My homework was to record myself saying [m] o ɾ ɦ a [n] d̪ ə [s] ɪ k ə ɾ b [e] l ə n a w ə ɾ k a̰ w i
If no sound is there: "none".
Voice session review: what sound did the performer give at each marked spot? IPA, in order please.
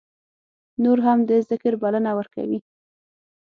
n, m, z, a

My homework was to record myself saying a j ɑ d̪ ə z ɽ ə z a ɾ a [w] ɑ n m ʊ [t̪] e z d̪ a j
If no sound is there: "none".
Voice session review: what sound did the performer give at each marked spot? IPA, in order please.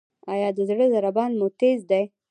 b, t̪

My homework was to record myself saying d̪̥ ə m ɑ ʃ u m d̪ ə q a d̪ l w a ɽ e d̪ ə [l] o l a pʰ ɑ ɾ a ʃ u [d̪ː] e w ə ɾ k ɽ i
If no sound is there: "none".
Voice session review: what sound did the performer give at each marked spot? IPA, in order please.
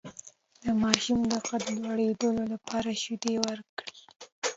l, d̪

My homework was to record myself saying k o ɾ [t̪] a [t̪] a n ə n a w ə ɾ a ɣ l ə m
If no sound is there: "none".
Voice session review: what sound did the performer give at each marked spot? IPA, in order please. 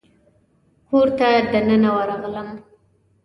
t̪, d̪

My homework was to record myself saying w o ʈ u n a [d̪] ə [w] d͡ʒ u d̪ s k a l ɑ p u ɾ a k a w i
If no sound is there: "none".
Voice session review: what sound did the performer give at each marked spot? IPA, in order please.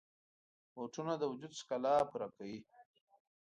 d̪, w

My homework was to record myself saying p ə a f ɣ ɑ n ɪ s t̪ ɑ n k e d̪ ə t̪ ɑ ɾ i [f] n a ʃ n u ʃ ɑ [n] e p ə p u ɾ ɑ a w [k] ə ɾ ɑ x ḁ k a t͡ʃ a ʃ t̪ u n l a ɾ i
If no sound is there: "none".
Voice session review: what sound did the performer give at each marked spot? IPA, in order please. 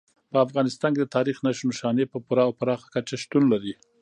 x, n, p

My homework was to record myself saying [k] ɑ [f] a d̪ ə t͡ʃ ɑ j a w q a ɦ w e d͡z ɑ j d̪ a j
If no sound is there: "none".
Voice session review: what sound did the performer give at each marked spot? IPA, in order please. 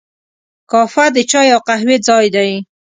k, f

